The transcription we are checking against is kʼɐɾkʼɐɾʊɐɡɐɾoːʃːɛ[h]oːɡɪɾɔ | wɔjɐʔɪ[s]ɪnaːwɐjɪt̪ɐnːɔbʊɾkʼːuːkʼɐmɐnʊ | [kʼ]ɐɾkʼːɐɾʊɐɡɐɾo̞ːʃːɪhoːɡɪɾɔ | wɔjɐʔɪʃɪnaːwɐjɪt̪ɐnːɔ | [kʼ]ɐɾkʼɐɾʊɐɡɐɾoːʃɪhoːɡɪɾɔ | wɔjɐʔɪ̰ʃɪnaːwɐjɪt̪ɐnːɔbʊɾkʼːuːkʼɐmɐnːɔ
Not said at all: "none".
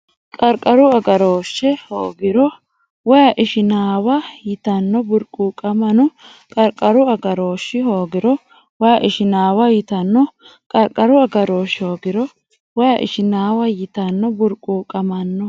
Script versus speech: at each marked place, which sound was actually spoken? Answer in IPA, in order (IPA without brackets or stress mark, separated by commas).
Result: h, ʃ, kʼ, kʼ